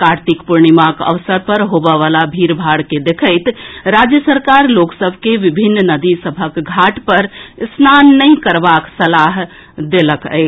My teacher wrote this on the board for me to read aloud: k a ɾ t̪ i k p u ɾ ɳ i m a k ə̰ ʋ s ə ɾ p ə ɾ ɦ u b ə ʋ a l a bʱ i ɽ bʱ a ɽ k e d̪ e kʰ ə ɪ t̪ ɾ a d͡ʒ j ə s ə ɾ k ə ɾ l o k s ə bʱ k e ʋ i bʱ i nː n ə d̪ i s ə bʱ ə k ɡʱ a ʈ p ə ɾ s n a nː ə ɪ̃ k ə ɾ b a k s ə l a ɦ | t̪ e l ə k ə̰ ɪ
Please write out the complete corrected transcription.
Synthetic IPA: k a ɾ t̪ i k p u ɾ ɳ i m a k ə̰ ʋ s ə ɾ p ə ɾ ɦ o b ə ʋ a l a bʱ i ɾ bʱ a ɽ k e d̪ e kʰ ə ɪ t̪ ɾ a d͡ʒ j ə s ə ɾ k a ɾ l o k s ə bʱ k e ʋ i bʱ i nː n ə d̪ i s ə bʱ ə k ɡʱ a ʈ p ə ɾ s n a nː ə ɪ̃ k ə ɾ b a k s ə l a ɦ | d̪ e l ə k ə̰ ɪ

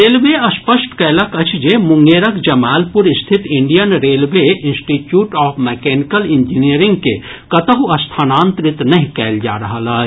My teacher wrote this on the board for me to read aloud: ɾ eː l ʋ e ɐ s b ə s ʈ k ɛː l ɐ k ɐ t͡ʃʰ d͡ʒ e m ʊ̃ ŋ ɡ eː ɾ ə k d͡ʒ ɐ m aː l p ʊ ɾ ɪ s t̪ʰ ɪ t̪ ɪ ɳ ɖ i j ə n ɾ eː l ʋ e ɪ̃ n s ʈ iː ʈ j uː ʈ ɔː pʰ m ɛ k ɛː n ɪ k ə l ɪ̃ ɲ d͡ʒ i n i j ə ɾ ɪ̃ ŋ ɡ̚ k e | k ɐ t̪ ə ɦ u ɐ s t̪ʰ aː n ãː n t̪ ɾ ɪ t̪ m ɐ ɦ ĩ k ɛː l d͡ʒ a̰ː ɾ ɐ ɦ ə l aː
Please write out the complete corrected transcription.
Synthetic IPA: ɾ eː l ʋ e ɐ s p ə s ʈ k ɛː l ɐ k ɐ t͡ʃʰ d͡ʒ e m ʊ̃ ŋ ɡ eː ɾ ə k d͡ʒ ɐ m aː l p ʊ ɾ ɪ s t̪ʰ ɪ t̪ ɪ ɳ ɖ i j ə n ɾ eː l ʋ e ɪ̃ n s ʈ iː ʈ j uː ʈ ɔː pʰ m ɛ k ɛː n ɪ k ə l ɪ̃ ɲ d͡ʒ i n i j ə ɾ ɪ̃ ŋ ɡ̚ k e | k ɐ t̪ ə ɦ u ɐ s t̪ʰ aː n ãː n t̪ ɾ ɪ t̪ n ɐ ɦ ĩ k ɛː l d͡ʒ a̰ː ɾ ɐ ɦ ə l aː

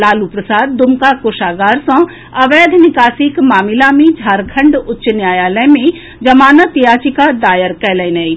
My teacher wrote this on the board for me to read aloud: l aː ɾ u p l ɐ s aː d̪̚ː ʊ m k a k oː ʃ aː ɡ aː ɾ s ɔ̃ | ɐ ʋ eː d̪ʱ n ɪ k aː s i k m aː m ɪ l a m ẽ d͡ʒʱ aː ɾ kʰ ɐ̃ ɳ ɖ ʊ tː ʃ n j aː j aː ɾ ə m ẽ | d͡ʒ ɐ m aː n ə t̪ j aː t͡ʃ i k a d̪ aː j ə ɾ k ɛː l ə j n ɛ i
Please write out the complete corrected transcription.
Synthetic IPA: l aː l u p ɾ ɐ s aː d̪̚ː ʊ m k a k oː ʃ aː ɡ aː ɾ s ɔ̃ | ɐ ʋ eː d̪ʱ n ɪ k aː s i k m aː m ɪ l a m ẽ d͡ʒʱ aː ɾ kʰ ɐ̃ ɳ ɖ ʊ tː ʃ n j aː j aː l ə m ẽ | d͡ʒ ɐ m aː n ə t̪ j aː t͡ʃ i k a d̪ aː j ə ɾ k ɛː l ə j n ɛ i

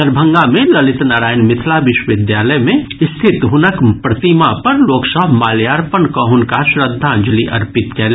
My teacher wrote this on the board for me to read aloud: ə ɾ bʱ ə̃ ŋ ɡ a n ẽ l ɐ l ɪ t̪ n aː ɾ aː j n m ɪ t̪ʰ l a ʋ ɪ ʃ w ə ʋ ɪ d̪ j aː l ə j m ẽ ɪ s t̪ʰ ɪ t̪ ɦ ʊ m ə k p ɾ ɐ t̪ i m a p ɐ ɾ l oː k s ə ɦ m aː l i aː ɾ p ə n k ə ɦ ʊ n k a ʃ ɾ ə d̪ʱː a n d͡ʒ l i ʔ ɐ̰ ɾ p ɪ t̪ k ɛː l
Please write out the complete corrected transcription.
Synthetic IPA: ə ɾ bʱ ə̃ ŋ ɡ a m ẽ l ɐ l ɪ t̪ n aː ɾ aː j n m ɪ t̪ʰ l a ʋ ɪ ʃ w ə ʋ ɪ d̪ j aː l ə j m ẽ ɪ s t̪ʰ ɪ t̪ ɦ ʊ n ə k p ɾ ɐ t̪ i m a p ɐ ɾ l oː k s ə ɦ m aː l j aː ɾ p ə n k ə ɦ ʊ n k a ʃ ɾ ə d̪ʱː a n d͡ʒ l i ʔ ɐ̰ ɾ p ɪ t̪ k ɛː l

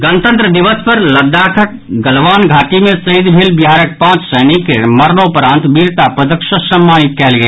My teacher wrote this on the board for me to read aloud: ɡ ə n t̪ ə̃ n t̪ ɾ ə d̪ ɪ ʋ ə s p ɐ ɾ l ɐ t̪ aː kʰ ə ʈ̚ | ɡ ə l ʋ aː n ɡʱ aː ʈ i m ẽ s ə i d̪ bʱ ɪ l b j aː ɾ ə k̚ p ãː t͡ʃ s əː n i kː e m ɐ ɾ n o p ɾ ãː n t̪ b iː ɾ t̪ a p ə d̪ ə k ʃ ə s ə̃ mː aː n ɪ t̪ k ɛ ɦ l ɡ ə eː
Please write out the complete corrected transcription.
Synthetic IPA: ɡ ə n t̪ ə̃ n t̪ ɾ ə d̪ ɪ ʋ ə s p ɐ ɾ l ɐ d̪ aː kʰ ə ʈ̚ | ɡ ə l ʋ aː n ɡʱ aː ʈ i m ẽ s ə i d̪ bʱ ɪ l b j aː ɾ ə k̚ p ãː t͡ʃ s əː n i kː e m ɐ ɾ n o p ɾ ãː n t̪ b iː ɾ t̪ a p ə d̪ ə k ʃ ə s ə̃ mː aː n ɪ t̪ k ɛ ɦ l ɡ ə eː

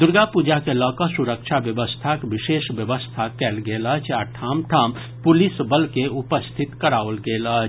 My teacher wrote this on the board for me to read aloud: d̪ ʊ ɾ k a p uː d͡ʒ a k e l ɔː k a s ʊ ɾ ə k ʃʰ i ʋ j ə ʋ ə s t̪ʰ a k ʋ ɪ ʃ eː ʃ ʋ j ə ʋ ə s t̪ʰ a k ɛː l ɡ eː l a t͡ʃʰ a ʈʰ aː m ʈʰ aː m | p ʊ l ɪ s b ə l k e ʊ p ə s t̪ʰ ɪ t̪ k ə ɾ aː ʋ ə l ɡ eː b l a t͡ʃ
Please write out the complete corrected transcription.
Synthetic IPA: d̪ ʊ ɾ ɡ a p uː d͡ʒ a k e l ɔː k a s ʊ ɾ ə k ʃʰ a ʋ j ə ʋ ə s t̪ʰ a k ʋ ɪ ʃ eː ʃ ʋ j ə ʋ ə s t̪ʰ a k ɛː l ɡ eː l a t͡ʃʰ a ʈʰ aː m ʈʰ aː m | p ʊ l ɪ s b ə l k e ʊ p ə s t̪ʰ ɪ t̪ k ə ɾ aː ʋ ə l ɡ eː l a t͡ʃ

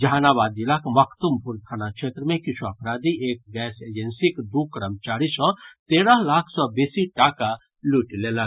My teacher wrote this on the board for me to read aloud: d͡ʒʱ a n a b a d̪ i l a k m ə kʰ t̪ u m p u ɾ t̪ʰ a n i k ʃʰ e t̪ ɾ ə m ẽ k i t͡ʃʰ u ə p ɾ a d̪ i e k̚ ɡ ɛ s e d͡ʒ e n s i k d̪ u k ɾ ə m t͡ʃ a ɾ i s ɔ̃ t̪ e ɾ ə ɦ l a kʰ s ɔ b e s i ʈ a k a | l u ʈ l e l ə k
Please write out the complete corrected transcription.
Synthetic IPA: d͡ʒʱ a n a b a d̪ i l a k m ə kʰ t̪ u m p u ɾ t̪ʰ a n a k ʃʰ e t̪ ɾ ə m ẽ k i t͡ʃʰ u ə p ɾ a d̪ i e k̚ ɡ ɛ s e d͡ʒ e n s i k d̪ u k ɾ ə m t͡ʃ a ɾ i s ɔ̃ t̪ e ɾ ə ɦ l a kʰ s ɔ b e s i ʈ a k a | l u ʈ l e l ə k

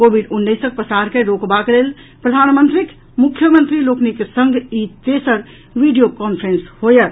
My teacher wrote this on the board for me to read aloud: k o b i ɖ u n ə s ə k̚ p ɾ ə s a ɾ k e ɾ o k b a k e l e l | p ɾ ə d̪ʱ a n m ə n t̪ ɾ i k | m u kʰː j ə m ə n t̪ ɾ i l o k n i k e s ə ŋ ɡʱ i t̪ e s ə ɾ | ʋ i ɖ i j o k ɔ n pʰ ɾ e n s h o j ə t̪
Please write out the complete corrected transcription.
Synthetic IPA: k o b i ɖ u nː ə s ə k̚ p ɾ ə s a ɾ k e ɾ o k b a k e l e l | p ɾ ə d̪ʱ a n m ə n t̪ ɾ i k | m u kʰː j ə m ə n t̪ ɾ i l o k n i k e s ə ŋ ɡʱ i t̪ e s ə ɾ | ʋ i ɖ i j o k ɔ n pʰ ɾ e n s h o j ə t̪

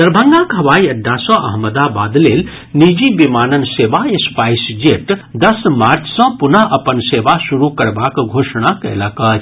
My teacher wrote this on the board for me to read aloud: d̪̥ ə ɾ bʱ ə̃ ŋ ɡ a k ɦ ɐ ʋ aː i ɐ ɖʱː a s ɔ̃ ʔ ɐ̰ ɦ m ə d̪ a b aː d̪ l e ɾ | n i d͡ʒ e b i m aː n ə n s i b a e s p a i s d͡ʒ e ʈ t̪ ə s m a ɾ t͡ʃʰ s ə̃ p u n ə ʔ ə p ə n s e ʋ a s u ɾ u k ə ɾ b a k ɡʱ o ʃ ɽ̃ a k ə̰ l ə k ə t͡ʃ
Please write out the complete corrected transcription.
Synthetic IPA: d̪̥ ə ɾ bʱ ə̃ ŋ ɡ a k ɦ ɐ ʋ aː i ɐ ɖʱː a s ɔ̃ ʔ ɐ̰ ɦ m ə d̪ a b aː d̪ l e l | n i d͡ʒ i b i m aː n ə n s e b a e s p a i s d͡ʒ e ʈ d̪ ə s m a ɾ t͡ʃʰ s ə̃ p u n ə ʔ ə p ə n s e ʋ a s u ɾ u k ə ɾ b a k ɡʱ o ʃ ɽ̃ a k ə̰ l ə k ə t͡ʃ

